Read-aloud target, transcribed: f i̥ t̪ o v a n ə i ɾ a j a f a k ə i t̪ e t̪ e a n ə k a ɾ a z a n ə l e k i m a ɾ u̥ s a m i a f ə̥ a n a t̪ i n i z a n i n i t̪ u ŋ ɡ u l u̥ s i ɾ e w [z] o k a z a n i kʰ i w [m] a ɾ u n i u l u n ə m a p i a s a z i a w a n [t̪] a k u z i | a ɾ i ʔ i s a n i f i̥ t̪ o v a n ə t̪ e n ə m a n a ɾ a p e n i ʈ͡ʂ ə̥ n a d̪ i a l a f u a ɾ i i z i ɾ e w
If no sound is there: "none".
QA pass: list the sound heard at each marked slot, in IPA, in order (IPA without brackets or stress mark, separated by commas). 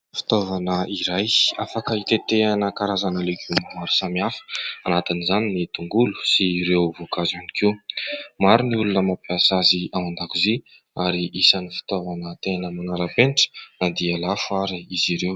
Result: v, m, d̪